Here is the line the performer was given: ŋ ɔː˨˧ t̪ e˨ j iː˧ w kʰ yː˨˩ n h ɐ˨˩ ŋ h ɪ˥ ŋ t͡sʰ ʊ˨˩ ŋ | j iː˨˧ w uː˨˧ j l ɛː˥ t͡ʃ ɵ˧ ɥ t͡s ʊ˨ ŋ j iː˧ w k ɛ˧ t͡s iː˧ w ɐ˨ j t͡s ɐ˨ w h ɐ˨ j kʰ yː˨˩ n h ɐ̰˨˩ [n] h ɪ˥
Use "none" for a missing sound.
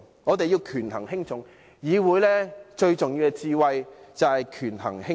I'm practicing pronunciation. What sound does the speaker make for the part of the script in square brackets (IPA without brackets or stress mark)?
ŋ